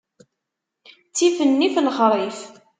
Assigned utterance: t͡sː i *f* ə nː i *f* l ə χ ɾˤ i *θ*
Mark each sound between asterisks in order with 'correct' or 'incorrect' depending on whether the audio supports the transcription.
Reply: correct, correct, incorrect: f

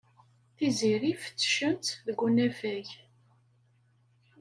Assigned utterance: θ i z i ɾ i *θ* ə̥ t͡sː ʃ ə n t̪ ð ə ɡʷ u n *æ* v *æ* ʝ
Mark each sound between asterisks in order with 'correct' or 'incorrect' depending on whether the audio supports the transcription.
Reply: incorrect: f, correct, correct

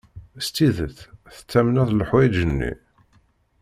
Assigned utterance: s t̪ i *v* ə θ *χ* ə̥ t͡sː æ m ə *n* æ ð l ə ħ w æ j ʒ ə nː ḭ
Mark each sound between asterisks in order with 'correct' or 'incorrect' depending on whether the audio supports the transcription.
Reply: incorrect: ð, incorrect: θ, correct

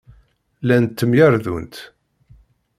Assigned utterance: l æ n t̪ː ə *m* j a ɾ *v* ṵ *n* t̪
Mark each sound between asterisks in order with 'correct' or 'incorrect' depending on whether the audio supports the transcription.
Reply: correct, incorrect: ð, correct

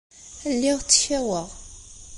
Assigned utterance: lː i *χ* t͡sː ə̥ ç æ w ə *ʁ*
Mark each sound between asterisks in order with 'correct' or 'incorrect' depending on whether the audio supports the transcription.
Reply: incorrect: ʁ, correct

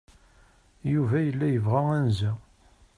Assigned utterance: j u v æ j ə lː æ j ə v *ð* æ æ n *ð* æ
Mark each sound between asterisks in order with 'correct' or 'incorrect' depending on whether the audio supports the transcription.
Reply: incorrect: ʁ, incorrect: z

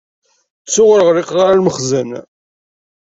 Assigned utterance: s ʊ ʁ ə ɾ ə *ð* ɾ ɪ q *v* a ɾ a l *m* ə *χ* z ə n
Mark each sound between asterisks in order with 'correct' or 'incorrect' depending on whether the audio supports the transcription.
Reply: incorrect: ʁ, incorrect: ʁ, correct, correct

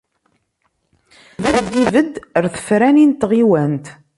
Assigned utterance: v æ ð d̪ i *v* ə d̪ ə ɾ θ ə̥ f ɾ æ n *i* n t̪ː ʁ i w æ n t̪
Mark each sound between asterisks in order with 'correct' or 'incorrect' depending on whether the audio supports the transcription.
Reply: correct, correct

